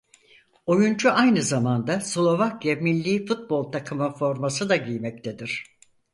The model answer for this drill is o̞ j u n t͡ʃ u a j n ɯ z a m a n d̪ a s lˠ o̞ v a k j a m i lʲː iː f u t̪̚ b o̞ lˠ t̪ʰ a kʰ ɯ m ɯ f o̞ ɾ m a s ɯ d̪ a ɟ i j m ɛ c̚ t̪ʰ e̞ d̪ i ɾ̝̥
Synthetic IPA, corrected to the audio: o̞ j u n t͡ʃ u a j n ɯ z a m a n d̪ a s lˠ o̞ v a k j a m i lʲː iː f u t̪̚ b o̞ lˠ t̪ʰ a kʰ ɯ m ɯ f o̞ ɾ m a s ɯ d̪ a ɟ i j m ɛ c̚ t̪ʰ e̞ d̪ i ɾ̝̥